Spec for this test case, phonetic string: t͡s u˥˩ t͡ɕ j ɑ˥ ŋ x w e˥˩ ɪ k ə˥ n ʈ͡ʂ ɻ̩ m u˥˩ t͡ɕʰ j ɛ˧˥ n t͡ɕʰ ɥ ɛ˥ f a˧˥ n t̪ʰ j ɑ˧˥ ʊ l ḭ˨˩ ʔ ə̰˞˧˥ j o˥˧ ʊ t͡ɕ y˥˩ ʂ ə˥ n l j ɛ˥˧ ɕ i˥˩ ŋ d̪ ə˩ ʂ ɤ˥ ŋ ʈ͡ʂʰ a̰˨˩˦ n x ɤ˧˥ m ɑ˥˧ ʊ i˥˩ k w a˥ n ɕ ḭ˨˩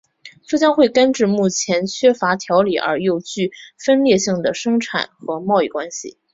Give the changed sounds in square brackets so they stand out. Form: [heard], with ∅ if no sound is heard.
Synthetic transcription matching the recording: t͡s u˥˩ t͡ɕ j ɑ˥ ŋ x w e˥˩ ɪ k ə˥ n ʈ͡ʂ ɻ̩ m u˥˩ t͡ɕʰ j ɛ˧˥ n t͡ɕʰ ɥ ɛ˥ f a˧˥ [∅] t̪ʰ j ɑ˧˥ ʊ l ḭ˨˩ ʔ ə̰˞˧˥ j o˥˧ ʊ t͡ɕ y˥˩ [f] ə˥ n l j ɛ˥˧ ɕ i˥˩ ŋ d̪ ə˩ ʂ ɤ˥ ŋ ʈ͡ʂʰ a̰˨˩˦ n x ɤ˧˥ m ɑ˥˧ ʊ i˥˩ k w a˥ n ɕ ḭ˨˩